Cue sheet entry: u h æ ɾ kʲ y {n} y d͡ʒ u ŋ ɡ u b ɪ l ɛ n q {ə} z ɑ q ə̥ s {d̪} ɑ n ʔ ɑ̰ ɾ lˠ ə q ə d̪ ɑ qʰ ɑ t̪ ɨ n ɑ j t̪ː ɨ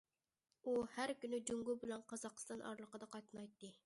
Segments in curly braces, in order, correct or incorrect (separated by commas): correct, incorrect, incorrect